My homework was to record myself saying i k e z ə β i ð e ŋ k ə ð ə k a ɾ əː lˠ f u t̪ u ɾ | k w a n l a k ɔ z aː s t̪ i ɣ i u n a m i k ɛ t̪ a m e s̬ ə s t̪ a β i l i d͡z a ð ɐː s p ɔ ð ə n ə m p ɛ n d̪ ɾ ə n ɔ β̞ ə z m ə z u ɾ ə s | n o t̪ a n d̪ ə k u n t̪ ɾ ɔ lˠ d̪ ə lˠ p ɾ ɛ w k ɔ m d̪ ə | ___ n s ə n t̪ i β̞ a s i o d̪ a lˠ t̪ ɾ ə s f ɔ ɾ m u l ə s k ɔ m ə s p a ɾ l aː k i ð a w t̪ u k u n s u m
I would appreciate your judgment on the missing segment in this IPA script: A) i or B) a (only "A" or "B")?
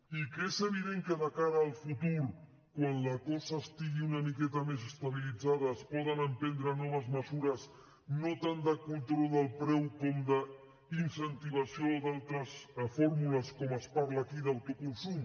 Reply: A